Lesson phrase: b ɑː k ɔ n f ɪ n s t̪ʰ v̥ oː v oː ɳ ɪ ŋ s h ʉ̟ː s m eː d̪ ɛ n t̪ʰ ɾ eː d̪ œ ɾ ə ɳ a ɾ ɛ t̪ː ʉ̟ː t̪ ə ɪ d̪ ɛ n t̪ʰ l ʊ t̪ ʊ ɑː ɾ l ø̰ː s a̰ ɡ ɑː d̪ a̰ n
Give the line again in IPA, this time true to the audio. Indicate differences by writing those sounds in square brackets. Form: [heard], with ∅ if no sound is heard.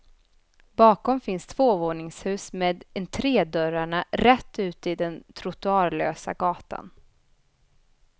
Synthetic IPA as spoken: b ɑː k ɔ [m] f ɪ n s t̪ʰ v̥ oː v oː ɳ ɪ ŋ s h ʉ̟ː s m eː d̪ ɛ n t̪ʰ ɾ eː d̪ œ ɾ [a] ɳ a ɾ ɛ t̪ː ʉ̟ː t̪ ə ɪ d̪ ɛ n t̪ʰ [ɾ] ʊ t̪ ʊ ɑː ɾ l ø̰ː s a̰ ɡ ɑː [t̪] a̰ n

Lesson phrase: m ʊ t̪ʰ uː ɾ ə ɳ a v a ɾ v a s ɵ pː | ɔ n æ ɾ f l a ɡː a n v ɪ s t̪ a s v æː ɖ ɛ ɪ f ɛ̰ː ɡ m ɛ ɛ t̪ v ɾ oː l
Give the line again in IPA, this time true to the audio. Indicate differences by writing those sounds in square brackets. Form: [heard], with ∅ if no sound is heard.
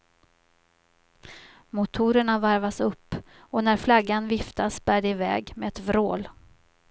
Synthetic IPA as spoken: m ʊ t̪ʰ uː ɾ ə ɳ a v a ɾ v a s ɵ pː | ɔ n æ ɾ f l a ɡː a n v ɪ [f] t̪ a s [b] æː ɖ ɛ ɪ [v] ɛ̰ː ɡ m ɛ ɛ t̪ v ɾ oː l

